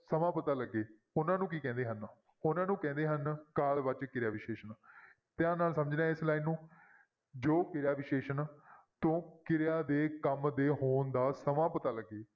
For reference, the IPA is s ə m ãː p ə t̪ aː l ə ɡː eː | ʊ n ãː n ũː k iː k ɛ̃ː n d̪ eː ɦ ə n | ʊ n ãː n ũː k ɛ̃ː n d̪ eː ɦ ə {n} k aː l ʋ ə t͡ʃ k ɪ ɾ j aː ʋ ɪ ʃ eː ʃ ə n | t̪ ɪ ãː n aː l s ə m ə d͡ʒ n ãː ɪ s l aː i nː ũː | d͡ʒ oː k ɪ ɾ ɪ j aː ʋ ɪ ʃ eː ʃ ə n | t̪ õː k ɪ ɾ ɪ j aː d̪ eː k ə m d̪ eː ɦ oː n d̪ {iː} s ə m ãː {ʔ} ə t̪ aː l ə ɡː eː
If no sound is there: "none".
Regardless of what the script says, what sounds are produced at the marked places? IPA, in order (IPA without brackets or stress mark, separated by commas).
n, aː, p